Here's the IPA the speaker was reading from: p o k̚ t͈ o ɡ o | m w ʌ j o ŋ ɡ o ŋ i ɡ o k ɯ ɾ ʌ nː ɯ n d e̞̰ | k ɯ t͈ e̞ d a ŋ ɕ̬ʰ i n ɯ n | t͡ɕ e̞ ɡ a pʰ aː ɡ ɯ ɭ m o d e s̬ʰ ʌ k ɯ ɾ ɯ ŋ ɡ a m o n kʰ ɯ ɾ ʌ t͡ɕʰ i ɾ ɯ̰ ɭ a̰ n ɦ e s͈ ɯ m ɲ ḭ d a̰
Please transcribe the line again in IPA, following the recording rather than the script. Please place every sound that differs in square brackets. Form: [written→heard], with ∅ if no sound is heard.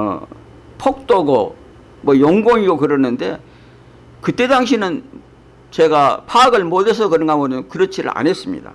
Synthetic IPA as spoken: [p→pʰ] o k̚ t͈ o ɡ o | m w ʌ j o ŋ ɡ o ŋ i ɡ o k ɯ ɾ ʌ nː ɯ n d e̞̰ | k ɯ t͈ e̞ d a ŋ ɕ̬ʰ i n ɯ n | t͡ɕ e̞ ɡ a pʰ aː ɡ ɯ ɭ m o d e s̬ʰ ʌ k ɯ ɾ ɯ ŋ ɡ a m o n [kʰ→k] ɯ ɾ ʌ t͡ɕʰ i ɾ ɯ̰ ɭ a̰ n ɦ e s͈ ɯ m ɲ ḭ d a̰